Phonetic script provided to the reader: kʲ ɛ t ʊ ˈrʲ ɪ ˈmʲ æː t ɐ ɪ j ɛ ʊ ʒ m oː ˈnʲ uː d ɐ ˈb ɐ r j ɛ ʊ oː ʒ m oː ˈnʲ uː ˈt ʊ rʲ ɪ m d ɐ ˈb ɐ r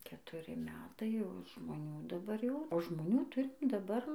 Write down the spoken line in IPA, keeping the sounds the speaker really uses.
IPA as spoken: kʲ ɛ t ʊ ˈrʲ ɪ ˈmʲ æː t ɐ ɪ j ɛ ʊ ʒ m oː ˈnʲ uː d ɐ ˈb ɐ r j ɛ ʊ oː ʒ m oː ˈnʲ uː ˈt ʊ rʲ ɪ m d ɐ ˈb ɐ r